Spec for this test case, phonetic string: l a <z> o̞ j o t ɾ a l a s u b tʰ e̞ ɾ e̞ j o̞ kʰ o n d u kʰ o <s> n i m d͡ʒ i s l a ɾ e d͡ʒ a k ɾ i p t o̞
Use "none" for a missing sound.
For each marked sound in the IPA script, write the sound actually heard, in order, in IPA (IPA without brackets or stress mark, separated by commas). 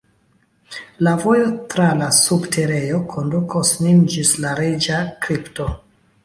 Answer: v, s